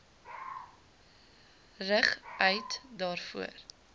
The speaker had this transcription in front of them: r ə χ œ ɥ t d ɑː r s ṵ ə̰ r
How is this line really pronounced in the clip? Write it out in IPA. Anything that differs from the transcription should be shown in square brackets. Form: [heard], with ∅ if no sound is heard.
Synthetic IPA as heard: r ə χ œ ɥ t d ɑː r [f] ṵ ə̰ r

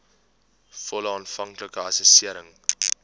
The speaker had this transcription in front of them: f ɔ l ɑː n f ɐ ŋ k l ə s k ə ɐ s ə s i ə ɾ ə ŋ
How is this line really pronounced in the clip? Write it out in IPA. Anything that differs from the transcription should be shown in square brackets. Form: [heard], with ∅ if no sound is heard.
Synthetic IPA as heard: f ɔ l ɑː n f ɐ ŋ k l ə [∅] k ə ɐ s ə s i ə ɾ ə ŋ

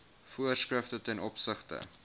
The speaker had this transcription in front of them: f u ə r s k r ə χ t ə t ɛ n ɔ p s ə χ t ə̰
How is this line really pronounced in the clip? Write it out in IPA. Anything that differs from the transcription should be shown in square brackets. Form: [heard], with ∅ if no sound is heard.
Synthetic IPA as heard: f u ə r s k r ə [f] t ə t ɛ n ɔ p s ə χ t ə̰

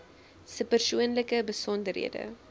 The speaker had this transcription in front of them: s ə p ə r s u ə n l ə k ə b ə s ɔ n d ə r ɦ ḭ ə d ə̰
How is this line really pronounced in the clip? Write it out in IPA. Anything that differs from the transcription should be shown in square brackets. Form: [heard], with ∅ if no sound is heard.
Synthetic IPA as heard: s ə p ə r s u ə n l ə k ə b ə s ɔ n d ə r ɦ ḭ ə d ə̰

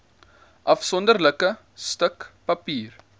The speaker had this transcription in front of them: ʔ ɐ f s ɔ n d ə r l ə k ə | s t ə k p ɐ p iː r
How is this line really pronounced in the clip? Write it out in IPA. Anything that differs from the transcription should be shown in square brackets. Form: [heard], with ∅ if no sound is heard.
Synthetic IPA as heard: ʔ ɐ f s ɔ n d ə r l ə k ə | s t ə k p ɐ p iː r

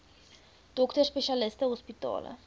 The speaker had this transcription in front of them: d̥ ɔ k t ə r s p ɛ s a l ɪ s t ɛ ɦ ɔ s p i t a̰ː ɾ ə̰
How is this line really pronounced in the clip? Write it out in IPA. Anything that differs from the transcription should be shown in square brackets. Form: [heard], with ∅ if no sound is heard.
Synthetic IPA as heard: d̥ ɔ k t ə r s p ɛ [ʃ] a l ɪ s t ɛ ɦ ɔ s p i t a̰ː [l] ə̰

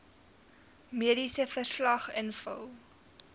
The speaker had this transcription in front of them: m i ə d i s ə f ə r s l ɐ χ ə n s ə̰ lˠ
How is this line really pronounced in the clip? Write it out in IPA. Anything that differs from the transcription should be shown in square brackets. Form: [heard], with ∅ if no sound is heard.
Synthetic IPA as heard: m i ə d i s ə f ə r s l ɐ χ ə n [f] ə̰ lˠ

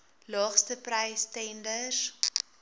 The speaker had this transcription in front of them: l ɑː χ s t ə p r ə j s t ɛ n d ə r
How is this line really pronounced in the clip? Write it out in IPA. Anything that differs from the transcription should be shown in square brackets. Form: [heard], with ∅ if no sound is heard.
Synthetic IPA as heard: l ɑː χ s t ə p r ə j s t ɛ n d ə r

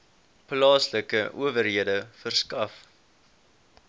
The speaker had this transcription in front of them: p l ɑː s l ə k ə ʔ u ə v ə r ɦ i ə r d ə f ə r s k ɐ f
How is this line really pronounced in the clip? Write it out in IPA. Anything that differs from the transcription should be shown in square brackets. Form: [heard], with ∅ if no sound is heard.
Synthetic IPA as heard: p l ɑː s l ə k ə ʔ u ə v ə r ɦ i ə [∅] d ə f ə r s k ɐ f

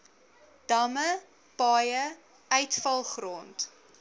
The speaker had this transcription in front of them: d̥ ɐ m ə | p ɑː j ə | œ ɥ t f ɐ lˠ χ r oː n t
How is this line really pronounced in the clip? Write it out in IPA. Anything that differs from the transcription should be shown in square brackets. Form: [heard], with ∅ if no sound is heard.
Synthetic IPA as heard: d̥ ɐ m ə | p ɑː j ə | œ ɥ t f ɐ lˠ χ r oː n t

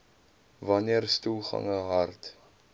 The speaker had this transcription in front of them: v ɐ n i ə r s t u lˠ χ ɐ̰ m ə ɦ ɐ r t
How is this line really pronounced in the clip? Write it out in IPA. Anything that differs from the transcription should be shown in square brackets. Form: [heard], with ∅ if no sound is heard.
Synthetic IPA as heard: v ɐ n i ə r s t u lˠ χ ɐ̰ [ŋ] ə ɦ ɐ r t

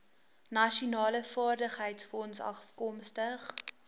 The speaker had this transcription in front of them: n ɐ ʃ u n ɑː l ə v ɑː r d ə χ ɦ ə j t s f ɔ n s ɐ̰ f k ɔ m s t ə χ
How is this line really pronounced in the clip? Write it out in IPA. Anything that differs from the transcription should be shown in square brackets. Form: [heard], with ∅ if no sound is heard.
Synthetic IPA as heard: n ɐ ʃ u n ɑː l ə [f] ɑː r d ə χ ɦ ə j t s f ɔ n s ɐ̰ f k ɔ m s t ə χ

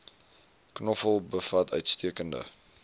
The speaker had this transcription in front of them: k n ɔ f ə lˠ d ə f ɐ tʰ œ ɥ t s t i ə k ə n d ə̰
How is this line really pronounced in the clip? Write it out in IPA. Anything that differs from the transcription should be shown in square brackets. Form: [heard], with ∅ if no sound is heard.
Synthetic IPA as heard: k n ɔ f ə lˠ [b] ə f ɐ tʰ œ ɥ t s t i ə k ə n d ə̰

